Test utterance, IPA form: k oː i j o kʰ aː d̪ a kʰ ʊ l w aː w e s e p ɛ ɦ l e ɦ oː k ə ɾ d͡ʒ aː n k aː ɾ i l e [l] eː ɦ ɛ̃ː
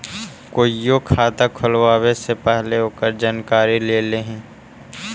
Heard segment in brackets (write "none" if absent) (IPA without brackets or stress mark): l